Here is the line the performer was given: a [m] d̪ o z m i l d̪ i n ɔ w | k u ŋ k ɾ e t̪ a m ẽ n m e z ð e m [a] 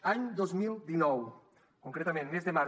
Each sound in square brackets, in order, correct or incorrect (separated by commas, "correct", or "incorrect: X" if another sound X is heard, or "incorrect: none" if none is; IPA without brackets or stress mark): incorrect: ɲ, correct